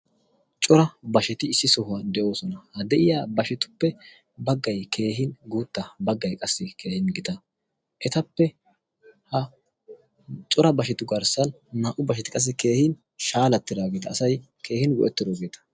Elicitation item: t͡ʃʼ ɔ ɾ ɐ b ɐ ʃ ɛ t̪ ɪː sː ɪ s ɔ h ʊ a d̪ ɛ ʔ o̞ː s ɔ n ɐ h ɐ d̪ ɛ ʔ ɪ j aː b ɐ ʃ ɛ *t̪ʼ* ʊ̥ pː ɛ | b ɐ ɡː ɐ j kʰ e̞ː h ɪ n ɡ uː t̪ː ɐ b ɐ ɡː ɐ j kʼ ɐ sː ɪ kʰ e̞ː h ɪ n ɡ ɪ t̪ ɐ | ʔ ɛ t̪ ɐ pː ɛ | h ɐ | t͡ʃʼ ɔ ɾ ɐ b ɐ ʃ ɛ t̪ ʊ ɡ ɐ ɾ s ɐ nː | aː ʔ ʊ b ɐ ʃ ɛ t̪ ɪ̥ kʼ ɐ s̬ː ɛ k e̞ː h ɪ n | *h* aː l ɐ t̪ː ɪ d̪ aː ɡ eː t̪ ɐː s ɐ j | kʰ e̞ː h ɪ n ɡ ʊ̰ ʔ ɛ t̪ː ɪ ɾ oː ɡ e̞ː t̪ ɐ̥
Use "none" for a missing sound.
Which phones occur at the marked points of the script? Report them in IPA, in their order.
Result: t̪, ʃ

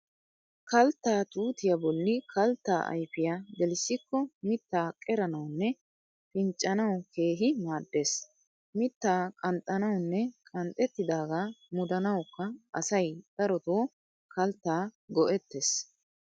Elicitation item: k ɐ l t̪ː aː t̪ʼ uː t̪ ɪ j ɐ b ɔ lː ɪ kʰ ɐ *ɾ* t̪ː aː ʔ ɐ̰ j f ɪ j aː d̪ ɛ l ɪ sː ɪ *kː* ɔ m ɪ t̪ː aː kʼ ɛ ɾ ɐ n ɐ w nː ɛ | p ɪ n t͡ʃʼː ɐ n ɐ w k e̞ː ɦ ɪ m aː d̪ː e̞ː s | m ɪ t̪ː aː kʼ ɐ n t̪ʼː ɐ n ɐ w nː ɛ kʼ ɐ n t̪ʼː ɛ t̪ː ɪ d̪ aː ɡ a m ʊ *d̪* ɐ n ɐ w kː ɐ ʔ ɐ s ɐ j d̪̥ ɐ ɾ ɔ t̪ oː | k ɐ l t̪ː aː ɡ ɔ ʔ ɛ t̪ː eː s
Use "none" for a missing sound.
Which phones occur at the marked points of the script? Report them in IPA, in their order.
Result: l, kː, d̪

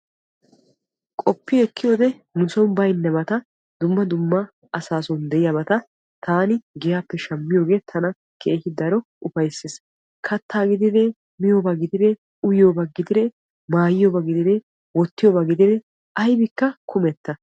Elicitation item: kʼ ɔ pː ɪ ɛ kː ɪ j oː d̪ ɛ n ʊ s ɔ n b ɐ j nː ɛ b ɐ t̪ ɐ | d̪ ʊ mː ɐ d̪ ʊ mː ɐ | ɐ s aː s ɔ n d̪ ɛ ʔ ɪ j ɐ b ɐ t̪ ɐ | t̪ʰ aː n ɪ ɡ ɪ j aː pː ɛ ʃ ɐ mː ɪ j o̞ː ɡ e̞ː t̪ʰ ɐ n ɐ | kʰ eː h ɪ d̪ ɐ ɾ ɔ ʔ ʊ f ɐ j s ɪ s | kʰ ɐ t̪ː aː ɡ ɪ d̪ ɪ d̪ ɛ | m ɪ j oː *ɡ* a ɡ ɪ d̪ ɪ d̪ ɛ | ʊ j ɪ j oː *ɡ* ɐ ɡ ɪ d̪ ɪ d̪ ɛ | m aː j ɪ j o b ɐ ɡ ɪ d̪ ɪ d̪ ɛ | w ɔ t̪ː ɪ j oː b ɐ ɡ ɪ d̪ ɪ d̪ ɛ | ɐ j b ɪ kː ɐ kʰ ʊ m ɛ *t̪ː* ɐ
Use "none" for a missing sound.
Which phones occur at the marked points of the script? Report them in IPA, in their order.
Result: b, b, t̪ː

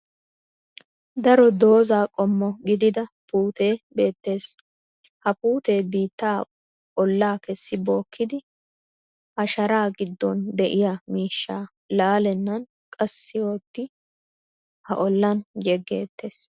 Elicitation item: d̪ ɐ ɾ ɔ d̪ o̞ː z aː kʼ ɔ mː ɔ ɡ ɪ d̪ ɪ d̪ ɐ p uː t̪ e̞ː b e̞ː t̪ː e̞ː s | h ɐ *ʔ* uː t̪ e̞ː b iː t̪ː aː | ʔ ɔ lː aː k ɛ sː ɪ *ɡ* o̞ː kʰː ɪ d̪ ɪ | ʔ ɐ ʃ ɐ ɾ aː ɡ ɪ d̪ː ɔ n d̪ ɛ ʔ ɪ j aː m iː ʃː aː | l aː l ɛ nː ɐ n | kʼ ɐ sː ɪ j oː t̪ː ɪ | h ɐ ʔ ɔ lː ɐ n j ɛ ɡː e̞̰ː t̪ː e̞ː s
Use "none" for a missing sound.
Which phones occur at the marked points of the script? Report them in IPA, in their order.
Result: p, b

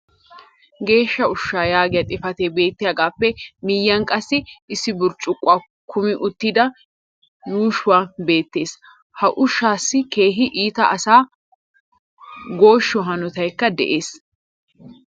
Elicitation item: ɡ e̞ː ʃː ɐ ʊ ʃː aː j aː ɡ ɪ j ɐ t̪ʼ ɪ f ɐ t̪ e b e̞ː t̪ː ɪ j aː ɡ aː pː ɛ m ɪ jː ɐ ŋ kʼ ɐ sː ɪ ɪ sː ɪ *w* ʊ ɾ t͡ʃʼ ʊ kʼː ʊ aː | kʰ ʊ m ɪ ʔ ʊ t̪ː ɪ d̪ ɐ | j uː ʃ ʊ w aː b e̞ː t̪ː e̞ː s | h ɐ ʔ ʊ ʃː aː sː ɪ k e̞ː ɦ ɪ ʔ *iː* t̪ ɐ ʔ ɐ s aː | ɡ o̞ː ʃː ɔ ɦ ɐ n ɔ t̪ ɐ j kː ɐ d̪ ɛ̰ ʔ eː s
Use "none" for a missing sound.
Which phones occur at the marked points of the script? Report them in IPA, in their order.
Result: b, iː

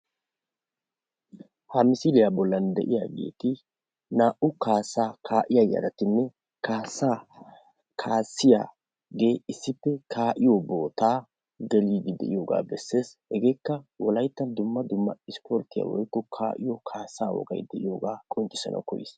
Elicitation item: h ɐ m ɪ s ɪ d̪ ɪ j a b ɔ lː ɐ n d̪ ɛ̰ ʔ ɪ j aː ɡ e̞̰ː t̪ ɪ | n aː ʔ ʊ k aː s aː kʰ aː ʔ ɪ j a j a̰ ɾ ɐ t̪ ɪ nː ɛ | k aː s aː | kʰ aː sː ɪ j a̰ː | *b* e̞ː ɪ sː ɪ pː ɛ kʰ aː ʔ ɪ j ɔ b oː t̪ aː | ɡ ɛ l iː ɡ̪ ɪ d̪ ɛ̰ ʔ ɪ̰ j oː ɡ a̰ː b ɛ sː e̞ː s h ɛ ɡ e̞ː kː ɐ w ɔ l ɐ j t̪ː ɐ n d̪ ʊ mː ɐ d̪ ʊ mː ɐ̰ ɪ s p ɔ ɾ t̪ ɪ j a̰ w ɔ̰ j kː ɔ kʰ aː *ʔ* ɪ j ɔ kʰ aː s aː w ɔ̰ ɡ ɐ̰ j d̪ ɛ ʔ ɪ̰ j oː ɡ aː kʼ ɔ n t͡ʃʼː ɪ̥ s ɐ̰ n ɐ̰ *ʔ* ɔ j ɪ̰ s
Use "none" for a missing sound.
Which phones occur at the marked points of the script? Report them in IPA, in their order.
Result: ɡ, ʔ, k

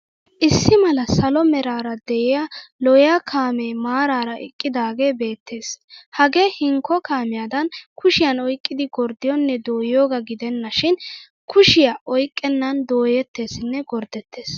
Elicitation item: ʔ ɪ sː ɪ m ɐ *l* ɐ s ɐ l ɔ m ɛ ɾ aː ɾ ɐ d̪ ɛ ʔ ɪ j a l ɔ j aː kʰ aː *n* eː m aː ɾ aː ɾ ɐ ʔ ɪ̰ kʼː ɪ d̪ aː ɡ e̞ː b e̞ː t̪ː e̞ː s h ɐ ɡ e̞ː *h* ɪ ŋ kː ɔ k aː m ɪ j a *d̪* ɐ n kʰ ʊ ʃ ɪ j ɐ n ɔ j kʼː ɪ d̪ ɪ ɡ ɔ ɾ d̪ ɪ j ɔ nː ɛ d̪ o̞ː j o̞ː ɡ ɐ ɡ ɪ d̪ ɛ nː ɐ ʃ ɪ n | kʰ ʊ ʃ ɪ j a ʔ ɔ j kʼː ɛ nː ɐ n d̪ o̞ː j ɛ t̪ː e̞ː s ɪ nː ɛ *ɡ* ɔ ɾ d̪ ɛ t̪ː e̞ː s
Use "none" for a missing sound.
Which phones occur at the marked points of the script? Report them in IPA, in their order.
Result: l, m, h, d̪, ɡ

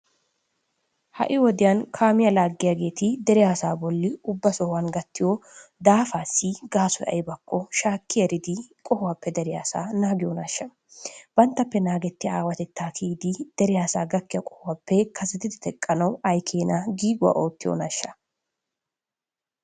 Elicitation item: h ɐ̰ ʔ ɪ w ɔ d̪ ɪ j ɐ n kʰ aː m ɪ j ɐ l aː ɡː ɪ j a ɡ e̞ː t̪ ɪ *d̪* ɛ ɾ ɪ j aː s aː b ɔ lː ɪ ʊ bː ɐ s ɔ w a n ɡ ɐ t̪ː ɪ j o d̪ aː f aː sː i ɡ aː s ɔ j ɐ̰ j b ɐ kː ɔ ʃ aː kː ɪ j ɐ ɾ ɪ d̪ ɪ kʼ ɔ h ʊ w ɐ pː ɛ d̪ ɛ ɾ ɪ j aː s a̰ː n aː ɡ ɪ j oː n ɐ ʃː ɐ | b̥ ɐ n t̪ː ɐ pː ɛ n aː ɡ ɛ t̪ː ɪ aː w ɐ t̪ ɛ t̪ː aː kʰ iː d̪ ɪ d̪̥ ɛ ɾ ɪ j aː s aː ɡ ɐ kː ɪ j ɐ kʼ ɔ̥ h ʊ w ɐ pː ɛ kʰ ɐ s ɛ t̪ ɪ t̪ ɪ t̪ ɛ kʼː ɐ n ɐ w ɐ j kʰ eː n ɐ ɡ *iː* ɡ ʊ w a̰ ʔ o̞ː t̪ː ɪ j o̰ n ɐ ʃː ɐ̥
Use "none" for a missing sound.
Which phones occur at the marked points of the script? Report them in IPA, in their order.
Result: d̪, iː

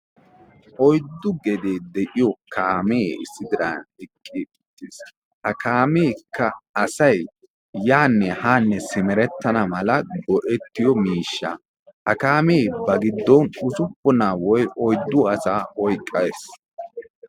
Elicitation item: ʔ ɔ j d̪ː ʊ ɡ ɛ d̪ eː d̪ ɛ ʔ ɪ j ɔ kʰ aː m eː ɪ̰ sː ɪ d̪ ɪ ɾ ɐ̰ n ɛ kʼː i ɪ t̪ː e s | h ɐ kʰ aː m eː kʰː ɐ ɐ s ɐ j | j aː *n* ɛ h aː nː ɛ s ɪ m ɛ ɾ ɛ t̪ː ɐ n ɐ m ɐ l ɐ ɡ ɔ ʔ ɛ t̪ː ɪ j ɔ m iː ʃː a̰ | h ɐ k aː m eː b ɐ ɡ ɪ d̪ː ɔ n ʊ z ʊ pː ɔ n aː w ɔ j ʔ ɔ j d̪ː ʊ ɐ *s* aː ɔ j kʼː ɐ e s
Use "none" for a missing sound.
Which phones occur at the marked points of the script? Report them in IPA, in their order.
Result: nː, s

